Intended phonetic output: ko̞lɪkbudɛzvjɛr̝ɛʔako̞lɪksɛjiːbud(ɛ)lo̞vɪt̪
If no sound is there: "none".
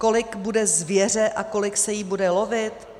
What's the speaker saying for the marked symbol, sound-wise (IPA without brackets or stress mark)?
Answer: ɛ